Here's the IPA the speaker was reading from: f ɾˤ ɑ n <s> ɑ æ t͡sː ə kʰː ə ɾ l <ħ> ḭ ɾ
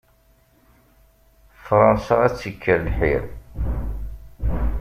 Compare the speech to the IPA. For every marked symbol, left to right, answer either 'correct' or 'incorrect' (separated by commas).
correct, correct